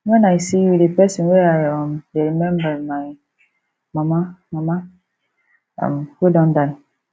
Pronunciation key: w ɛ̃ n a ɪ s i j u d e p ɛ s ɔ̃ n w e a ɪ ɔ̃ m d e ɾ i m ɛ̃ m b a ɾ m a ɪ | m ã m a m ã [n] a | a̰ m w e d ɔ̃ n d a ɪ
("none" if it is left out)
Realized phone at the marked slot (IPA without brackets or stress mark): m